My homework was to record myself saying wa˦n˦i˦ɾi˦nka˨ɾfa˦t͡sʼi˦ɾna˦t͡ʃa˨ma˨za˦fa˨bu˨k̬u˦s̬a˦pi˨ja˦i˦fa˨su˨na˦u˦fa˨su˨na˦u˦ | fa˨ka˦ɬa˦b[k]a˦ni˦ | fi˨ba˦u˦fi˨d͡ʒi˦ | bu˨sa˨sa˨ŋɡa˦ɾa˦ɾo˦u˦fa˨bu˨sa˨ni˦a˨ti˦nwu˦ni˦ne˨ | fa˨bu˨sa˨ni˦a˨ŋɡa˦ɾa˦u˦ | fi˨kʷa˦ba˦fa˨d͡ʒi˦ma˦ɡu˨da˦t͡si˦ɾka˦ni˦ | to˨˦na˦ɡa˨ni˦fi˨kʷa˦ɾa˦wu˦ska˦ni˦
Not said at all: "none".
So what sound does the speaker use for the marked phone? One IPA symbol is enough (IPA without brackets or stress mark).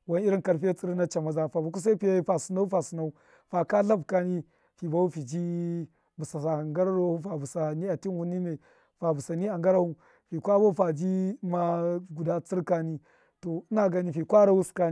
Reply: k